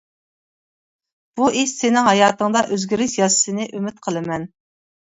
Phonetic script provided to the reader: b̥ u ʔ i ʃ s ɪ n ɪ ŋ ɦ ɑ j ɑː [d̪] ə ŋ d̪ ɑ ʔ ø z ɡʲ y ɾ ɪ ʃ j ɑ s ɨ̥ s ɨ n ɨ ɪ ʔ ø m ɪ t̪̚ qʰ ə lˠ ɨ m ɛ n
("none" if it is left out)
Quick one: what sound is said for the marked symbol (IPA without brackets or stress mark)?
t̪